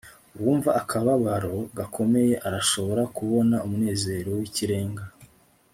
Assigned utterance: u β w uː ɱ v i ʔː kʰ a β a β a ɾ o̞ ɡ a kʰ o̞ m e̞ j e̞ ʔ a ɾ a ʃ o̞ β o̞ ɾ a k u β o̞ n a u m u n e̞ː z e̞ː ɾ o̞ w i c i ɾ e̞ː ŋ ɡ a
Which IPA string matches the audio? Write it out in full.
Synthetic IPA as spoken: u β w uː ɱ v a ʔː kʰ a β a β a ɾ o̞ ɡ a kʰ o̞ m e̞ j e̞ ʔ a ɾ a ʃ o̞ β o̞ ɾ a k u β o̞ n a u m u n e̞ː z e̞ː ɾ o̞ w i c i ɾ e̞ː ŋ ɡ a

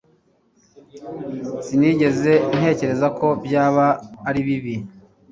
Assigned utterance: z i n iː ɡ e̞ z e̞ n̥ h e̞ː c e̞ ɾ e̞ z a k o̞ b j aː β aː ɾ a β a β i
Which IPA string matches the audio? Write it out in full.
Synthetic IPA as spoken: s i n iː ɟ e̞ z e̞ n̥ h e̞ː c e̞ ɾ e̞ z a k o̞ b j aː β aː ɾ i β i β i

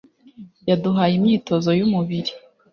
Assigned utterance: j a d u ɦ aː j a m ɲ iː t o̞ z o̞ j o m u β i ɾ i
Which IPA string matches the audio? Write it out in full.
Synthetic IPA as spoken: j a d u ɦ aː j i m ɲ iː t o̞ z o̞ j u m u β i ɾ i

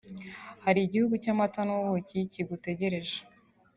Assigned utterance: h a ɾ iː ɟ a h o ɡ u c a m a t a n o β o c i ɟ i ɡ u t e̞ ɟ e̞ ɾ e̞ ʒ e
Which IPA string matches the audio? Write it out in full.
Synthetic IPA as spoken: h a ɾ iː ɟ i h u ɡ u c a m a t a n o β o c i c i ɡ u t e̞ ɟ e̞ ɾ e̞ ʒ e

